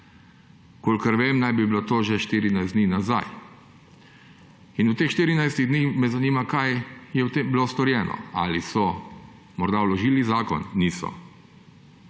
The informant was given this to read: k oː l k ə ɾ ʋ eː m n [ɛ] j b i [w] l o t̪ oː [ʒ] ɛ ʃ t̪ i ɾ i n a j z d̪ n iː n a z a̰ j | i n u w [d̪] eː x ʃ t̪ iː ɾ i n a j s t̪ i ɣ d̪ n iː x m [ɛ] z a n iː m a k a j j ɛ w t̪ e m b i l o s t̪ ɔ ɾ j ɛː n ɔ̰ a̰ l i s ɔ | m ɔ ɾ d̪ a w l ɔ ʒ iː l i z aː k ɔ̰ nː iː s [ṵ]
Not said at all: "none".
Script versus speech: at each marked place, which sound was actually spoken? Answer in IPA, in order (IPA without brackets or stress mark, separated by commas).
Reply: a, b, ʒ, t̪, ɛ, ɔ̰